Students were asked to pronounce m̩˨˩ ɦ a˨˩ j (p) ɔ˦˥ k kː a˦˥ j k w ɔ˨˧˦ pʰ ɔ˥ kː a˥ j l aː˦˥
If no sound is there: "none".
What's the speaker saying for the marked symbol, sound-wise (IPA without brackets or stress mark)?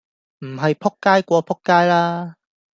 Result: pʰ